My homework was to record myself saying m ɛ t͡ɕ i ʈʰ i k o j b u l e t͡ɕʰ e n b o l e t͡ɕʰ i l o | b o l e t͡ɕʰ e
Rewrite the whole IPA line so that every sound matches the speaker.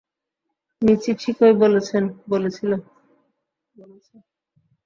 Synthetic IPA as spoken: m i t͡ɕ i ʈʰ i k o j b o l e t͡ɕʰ e n b o l e t͡ɕʰ i l o | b o l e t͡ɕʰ e

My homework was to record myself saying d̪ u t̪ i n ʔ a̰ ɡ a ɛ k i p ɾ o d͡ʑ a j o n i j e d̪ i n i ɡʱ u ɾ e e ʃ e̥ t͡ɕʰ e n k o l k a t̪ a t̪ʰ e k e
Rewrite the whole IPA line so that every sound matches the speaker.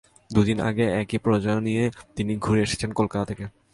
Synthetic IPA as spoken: d̪ u d̪ i n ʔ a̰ ɡ e ɛ k i p ɾ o d͡ʑ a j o n i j e t̪ i n i ɡʱ u ɾ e e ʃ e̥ t͡ɕʰ e n k o l k a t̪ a t̪ʰ e k e

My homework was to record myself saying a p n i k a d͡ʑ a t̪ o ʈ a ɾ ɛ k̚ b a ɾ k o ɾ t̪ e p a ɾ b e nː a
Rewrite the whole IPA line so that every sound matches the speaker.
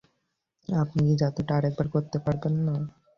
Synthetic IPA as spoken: a p n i k i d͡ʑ a t̪ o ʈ a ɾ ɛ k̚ b a ɾ k o ɾ t̪ e p a ɾ b e nː a

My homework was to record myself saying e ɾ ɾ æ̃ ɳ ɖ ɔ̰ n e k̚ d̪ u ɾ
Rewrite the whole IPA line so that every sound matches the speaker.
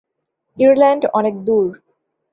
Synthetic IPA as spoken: i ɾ l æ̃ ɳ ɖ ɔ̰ n e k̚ d̪ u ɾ

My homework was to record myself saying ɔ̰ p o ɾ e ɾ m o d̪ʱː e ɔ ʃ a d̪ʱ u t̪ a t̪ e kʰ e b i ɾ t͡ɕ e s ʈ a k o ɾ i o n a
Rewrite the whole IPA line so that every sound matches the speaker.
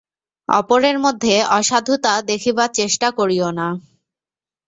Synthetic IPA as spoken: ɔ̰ p o ɾ e ɾ m o d̪ʱː e ɔ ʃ a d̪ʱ u t̪ a d̪ e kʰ i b a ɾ t͡ɕ e ʃ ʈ a k o ɾ i o n a

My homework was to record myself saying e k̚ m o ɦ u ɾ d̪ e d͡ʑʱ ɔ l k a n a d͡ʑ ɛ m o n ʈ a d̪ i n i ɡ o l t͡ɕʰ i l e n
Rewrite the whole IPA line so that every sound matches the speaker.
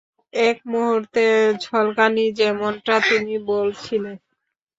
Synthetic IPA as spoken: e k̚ m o ɦ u ɾ t̪ e d͡ʑʱ ɔ l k a n i d͡ʑ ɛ m o n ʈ a t̪ i n i b o l t͡ɕʰ i l e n

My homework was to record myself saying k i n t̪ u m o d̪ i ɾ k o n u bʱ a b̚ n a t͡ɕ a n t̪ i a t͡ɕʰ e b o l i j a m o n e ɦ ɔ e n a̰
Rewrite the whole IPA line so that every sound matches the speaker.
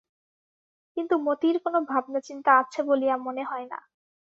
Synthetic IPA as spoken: k i n t̪ u m o t̪ i ɾ k o n o bʱ a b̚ n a t͡ɕ i n t̪ a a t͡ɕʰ e b o l i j a m o n e ɦ ɔ e n a̰

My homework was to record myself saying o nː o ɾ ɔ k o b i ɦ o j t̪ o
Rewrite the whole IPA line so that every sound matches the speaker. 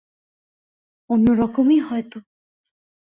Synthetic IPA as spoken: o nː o ɾ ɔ k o m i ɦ ɔ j t̪ o

